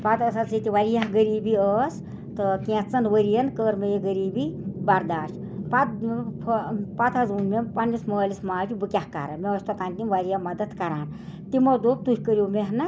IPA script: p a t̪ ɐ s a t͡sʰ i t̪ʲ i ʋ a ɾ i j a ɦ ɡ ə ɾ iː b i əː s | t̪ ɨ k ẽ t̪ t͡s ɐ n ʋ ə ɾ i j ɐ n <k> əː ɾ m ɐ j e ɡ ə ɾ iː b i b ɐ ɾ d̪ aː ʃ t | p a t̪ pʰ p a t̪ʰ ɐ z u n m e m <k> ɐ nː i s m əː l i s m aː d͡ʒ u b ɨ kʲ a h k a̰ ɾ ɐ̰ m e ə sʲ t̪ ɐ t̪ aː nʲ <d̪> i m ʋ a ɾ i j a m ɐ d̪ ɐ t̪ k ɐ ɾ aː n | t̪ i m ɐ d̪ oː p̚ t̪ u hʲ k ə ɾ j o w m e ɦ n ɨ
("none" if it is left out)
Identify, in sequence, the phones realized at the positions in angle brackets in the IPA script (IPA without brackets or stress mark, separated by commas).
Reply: k, p, t̪